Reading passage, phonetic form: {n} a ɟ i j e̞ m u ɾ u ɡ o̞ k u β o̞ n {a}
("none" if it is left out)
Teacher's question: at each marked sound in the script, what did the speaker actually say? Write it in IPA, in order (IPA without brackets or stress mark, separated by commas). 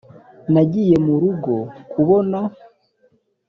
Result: n, a